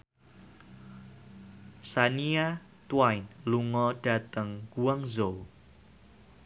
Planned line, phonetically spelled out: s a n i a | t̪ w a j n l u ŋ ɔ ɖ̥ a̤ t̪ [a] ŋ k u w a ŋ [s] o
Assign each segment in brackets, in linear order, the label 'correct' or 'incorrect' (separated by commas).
incorrect, incorrect